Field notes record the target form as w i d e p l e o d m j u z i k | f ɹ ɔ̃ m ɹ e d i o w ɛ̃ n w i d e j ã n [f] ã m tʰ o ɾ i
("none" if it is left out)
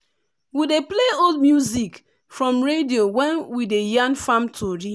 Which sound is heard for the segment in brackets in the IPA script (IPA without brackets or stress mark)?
f